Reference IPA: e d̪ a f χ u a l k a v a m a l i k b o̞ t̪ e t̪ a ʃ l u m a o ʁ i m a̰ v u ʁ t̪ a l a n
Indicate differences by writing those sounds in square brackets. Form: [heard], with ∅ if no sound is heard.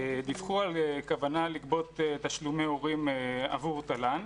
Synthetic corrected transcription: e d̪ [i] f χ u a l k a v a [n] a l i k b o̞ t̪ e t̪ a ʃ l u m [e] o ʁ i m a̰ v u ʁ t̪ a l a n